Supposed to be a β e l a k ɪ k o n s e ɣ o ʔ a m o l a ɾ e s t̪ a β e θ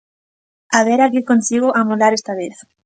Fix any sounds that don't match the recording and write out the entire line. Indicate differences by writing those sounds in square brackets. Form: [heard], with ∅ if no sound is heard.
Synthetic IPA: a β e [ɾ] a k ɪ k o n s [i] ɣ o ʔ a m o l a ɾ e s t̪ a β e θ